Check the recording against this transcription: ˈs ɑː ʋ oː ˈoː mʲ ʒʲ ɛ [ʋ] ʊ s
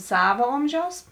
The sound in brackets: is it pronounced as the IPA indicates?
no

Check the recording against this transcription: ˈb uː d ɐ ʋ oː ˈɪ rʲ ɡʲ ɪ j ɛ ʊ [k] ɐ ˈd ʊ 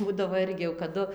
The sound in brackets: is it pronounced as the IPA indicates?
yes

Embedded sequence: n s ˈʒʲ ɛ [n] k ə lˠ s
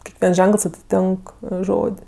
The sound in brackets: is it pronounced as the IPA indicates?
no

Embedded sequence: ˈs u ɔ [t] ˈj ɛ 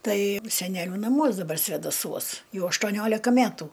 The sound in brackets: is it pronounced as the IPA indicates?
no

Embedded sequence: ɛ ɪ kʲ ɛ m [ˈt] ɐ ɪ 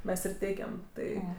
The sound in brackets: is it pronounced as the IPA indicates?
yes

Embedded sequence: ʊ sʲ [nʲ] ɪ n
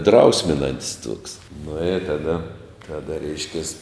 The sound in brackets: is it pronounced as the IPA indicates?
no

